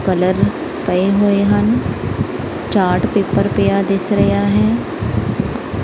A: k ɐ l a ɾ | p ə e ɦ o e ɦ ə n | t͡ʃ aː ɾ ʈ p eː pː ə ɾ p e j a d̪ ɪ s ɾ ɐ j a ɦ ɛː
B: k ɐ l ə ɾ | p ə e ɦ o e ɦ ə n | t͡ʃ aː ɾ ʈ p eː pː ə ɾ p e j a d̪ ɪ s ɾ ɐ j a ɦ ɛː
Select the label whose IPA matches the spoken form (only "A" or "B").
B